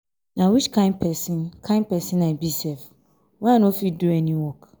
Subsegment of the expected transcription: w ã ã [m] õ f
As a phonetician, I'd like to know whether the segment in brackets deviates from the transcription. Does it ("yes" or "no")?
yes